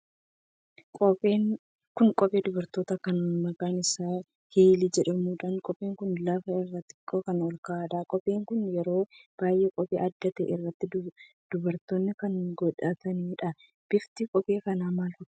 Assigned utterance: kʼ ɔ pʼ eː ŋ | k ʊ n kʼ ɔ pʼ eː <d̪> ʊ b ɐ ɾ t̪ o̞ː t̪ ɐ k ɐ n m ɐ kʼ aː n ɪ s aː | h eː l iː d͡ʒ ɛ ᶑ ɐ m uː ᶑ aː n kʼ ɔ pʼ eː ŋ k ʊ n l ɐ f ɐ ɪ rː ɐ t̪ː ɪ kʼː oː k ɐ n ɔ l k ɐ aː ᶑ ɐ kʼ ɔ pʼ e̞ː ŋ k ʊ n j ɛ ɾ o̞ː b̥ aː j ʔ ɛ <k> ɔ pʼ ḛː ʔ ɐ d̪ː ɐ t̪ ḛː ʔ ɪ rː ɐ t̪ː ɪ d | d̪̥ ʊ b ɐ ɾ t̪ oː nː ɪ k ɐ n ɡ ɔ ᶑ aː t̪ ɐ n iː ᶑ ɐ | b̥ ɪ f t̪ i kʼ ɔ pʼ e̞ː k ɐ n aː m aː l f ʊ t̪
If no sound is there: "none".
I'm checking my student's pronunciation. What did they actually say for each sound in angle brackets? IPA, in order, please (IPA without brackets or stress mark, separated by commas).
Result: d̪, kʼ